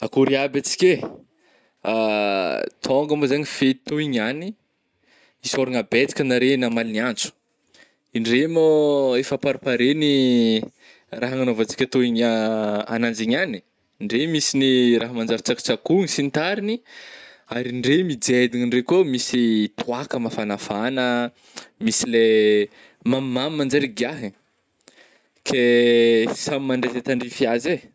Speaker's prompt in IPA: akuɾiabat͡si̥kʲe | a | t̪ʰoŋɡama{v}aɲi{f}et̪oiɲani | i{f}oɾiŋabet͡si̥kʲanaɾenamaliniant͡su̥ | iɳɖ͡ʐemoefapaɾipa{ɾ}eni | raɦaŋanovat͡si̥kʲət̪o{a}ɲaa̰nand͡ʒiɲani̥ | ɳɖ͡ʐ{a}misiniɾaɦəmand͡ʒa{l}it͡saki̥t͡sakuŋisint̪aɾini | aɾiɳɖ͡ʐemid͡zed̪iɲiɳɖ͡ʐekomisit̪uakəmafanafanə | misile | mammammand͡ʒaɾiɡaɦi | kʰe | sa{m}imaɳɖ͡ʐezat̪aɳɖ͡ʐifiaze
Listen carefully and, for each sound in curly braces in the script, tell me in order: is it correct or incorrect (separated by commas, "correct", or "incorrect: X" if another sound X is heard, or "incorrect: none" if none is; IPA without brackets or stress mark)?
incorrect: z, correct, incorrect: s, correct, incorrect: i, incorrect: e, incorrect: ɾ, correct